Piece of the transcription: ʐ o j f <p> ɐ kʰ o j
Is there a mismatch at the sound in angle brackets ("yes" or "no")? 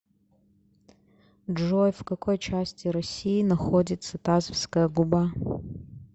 yes